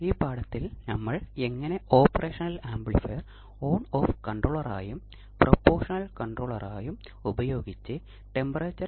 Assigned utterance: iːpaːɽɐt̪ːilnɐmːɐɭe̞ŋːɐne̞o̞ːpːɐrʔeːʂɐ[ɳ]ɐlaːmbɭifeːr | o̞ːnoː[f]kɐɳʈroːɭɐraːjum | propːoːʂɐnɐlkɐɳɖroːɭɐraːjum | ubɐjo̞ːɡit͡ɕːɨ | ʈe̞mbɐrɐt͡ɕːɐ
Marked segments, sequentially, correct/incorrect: incorrect: n, correct

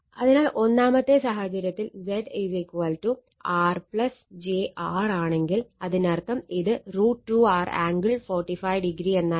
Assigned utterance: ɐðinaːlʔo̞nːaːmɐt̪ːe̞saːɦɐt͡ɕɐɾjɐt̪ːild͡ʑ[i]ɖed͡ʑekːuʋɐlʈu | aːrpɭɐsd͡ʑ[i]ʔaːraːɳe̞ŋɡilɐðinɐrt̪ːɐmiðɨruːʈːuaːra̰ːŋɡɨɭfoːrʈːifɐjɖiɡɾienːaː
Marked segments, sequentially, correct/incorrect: incorrect: e, incorrect: e

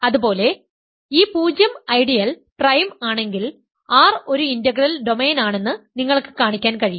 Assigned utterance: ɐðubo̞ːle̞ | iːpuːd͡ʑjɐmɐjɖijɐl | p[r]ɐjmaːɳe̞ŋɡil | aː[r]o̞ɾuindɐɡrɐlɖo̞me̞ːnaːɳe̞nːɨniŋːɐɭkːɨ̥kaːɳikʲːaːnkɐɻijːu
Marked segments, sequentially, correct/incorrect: correct, correct

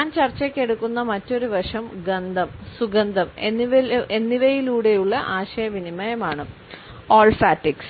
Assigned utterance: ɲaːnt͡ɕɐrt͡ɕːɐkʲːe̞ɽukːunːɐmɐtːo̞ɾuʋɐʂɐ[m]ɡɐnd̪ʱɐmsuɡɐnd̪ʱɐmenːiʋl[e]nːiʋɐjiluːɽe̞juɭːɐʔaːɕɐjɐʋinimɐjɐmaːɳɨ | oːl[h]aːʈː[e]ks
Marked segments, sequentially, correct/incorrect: correct, correct, incorrect: f, incorrect: i

